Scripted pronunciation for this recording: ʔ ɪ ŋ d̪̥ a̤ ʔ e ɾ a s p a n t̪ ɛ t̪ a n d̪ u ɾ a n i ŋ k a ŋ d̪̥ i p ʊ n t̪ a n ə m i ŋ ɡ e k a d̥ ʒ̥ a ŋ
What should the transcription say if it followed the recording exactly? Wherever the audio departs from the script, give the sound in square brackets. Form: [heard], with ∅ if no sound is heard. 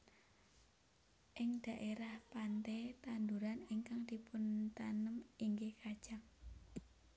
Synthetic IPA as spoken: ʔ ɪ ŋ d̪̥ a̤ ʔ e ɾ a [h] p a n t̪ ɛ t̪ a n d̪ u ɾ a n i ŋ k a ŋ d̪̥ i p ʊ n t̪ a n ə m i ŋ ɡ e k a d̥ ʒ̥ a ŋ